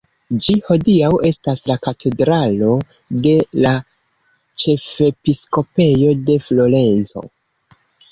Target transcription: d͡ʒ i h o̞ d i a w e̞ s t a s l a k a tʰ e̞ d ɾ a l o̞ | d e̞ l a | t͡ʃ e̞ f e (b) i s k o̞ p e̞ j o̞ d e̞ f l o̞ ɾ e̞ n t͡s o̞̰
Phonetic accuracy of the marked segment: incorrect: p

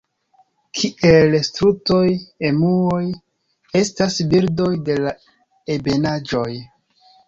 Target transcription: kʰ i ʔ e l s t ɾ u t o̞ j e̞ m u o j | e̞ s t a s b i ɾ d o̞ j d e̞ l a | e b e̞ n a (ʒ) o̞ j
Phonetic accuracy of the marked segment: incorrect: d͡ʒ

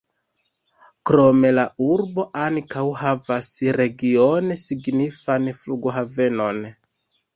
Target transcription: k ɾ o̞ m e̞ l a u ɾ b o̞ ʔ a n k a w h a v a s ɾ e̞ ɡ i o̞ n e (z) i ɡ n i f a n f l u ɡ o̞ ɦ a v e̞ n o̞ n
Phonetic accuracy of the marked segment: incorrect: s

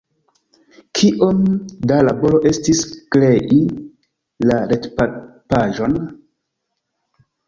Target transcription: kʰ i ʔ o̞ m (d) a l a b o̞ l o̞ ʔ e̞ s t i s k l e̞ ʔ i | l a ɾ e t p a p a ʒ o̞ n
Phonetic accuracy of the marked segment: correct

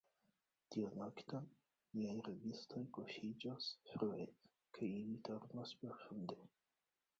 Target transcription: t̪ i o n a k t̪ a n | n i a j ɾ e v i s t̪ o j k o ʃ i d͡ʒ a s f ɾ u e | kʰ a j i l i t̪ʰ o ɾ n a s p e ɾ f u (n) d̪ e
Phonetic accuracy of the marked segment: correct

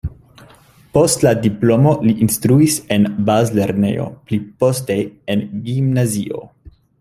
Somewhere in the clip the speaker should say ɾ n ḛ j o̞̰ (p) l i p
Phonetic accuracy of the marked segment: correct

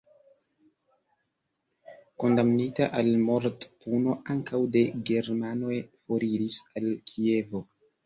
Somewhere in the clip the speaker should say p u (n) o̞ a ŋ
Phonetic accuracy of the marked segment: correct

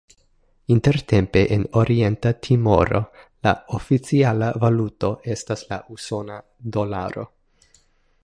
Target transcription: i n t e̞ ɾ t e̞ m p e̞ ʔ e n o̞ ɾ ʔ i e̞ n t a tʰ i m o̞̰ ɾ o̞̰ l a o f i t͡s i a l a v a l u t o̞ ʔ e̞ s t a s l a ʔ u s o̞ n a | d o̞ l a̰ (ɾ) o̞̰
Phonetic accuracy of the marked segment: correct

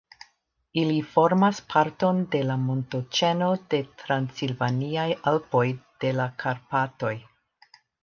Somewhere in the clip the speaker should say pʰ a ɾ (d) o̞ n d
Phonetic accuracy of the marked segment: incorrect: t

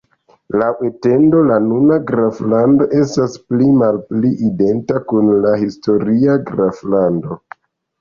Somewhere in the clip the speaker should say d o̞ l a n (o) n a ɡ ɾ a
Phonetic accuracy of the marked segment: incorrect: u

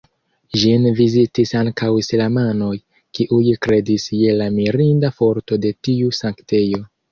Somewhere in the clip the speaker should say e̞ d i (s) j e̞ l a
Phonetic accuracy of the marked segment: correct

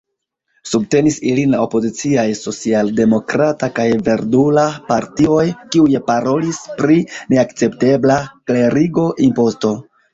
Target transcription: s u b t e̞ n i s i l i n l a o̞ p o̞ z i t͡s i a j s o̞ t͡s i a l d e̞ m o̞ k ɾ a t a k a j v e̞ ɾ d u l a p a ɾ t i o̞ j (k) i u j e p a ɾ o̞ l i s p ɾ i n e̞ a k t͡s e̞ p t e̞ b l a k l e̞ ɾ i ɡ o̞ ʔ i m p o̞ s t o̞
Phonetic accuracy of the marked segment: correct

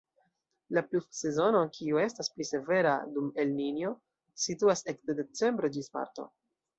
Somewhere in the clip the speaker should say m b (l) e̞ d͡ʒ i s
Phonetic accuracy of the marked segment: incorrect: ɾ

